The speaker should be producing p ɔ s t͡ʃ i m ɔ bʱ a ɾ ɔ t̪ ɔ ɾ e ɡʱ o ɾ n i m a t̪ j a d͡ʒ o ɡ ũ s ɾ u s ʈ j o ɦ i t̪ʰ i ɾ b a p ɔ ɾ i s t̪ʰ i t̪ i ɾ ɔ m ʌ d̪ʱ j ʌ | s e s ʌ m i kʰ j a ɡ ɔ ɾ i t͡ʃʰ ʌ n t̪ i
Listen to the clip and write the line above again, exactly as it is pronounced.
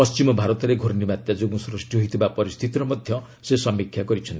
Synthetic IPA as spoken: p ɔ s t͡ʃ i m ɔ bʱ a ɾ ɔ t̪ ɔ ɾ e ɡʱ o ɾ n i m a t̪ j a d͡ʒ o ɡ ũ s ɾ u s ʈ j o ɦ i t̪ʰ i b a p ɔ ɾ i s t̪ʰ i t̪ i ɾ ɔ m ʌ d̪ʱ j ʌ | s e s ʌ m i kʰ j a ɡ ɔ ɾ i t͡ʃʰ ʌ n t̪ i

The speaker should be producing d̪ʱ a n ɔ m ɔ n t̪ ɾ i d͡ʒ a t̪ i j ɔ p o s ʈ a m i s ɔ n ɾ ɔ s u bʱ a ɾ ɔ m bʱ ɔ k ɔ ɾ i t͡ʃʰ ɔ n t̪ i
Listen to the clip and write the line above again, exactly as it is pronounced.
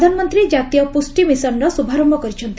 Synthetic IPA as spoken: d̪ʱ a n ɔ m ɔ n t̪ ɾ i d͡ʒ a t̪ i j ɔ p u s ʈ i m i s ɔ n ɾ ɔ s u bʱ a ɾ ɔ m bʱ ɔ k ɔ ɾ i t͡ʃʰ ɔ n t̪ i

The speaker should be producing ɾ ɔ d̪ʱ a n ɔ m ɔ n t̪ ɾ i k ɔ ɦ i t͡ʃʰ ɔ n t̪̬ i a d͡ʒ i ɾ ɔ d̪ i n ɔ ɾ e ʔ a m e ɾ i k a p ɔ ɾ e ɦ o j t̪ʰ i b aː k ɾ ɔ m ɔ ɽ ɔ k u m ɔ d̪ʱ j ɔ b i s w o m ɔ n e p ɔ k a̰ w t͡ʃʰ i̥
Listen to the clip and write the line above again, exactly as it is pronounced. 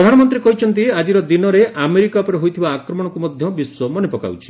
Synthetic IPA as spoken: ɾ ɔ d̪ʱ a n ɔ m ɔ n t̪ ɾ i k ɔ ɦ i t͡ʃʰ ɔ n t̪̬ i a d͡ʒ i ɾ ɔ d̪ i n ɔ ɾ e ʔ a m e ɾ i k a p ɔ ɾ e ɦ o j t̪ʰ i b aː k ɾ ɔ m ɔ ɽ ɔ k u m ɔ d̪ʱ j ɔ b i s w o m ɔ n e p ɔ k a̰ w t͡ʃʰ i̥

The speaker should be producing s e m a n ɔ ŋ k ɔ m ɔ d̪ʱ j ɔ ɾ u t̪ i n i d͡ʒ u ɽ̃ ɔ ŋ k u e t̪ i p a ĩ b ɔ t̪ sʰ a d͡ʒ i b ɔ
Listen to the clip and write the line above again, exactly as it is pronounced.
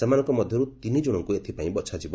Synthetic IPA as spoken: s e m a n ɔ ŋ k ɔ m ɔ d̪ʱ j ɔ ɾ u t̪ i n i d͡ʒ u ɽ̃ ɔ ŋ k u e t̪ʰ i p a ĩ b ɔ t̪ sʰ a d͡ʒ i b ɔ

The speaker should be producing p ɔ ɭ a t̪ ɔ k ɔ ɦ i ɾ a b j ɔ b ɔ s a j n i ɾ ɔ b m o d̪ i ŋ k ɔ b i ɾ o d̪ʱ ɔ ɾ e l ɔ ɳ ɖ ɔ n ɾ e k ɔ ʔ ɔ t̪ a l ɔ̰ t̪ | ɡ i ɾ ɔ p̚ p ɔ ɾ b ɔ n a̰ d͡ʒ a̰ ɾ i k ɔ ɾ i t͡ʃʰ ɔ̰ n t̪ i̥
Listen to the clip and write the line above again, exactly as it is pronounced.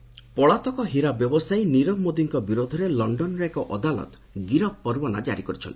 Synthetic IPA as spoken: p ɔ ɭ a t̪ ɔ k ɔ ɦ i ɾ a b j ɔ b ɔ s a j n i ɾ ɔ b m o d̪ i ŋ k ɔ b i ɾ o d̪ʱ ɔ ɾ e l ɔ ɳ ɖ ɔ n ɾ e k ɔ ʔ ɔ d̪ a l ɔ̰ t̪ | ɡ i ɾ ɔ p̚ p ɔ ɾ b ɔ n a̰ d͡ʒ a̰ ɾ i k ɔ ɾ i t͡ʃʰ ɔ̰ n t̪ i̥

